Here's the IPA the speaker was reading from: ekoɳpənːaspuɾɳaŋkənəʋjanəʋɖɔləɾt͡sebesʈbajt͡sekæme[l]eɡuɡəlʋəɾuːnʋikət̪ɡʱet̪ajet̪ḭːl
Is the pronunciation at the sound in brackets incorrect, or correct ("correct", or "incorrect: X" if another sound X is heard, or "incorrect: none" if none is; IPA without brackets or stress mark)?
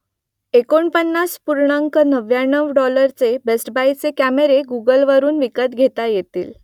incorrect: ɾ